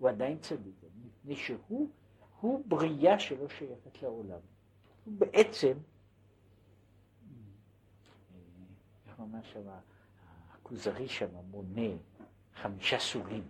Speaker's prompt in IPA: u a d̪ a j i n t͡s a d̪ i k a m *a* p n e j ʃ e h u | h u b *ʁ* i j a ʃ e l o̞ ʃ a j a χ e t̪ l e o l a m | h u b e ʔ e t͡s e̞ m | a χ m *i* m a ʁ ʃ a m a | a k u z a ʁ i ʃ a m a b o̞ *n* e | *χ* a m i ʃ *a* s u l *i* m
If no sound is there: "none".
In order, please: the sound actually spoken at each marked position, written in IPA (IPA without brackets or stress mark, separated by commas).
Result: i, ʁ, a, n, χ, a, i